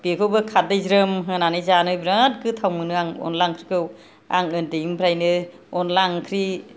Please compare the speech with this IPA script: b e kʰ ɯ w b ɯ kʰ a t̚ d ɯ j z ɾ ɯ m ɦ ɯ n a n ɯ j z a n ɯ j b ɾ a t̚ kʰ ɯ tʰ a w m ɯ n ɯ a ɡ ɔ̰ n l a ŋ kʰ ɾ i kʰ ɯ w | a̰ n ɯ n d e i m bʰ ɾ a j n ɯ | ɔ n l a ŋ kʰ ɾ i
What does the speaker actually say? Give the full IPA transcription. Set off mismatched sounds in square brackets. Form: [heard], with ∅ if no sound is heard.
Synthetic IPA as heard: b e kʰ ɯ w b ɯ kʰ a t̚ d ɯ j z ɾ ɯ m ɦ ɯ n a n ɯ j z a n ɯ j b ɾ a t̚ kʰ ɯ tʰ a w m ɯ n ɯ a [ŋ] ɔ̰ n l a ŋ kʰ ɾ i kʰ ɯ w | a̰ [ŋ] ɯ n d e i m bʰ ɾ a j n ɯ | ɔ n l a ŋ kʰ ɾ i